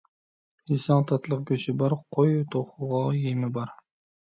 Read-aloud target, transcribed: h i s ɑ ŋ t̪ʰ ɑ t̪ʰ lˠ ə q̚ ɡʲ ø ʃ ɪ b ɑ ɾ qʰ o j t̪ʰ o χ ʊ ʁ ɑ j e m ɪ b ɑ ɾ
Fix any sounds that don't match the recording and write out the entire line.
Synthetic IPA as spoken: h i s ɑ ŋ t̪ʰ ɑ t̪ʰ lˠ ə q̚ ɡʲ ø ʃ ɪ b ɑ ɾ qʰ o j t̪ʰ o χ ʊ ʁ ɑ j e m ɪ b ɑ ɾ